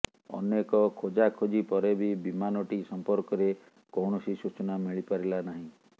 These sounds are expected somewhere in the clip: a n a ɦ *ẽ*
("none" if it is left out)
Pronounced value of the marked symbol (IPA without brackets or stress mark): ĩ